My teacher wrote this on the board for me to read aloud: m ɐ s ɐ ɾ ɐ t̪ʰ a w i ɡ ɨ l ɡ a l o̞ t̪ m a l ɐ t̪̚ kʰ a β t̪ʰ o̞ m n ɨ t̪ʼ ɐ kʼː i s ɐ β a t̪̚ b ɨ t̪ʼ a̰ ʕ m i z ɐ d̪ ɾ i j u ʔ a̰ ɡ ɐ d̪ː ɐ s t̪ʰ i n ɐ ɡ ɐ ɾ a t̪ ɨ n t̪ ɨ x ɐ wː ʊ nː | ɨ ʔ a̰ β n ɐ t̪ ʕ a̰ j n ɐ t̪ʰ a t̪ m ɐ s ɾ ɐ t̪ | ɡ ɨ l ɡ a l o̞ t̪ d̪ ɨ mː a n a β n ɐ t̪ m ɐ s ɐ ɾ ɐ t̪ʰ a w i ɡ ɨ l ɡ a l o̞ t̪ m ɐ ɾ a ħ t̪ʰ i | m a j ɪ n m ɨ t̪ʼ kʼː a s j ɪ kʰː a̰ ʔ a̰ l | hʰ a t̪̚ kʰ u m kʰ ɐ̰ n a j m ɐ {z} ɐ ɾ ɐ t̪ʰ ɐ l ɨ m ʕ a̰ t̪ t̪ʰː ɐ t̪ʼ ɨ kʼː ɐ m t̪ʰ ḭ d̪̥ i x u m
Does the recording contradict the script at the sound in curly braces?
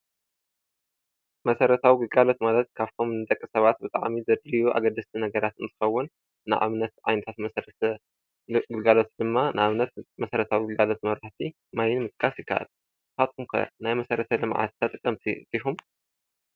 yes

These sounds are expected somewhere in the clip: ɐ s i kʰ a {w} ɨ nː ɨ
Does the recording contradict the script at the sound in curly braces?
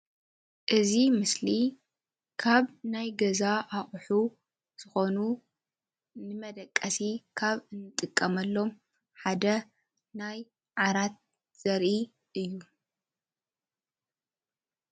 yes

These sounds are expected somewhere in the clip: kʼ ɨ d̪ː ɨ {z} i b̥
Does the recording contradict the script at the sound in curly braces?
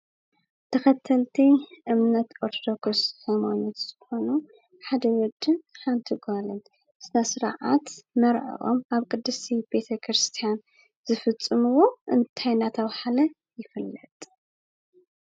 yes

